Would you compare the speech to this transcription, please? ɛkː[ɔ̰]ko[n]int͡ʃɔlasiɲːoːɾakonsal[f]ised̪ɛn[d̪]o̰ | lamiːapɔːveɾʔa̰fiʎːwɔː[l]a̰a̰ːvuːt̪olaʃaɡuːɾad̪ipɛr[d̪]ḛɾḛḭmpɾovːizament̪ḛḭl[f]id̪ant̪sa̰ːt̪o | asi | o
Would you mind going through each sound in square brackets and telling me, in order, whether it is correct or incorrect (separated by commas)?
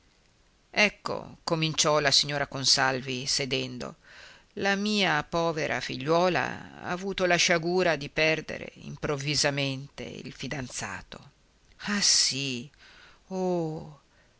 incorrect, incorrect, incorrect, correct, correct, correct, correct